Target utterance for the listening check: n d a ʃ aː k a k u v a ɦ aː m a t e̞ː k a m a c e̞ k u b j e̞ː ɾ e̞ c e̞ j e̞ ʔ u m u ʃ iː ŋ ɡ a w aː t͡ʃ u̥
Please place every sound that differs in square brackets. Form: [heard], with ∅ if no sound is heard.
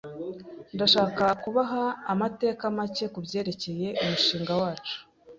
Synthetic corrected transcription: n d a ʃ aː k a k u [β] a ɦ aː m a t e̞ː k a m a c e̞ k u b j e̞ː ɾ e̞ c e̞ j e̞ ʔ u m u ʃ iː ŋ ɡ a w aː t͡ʃ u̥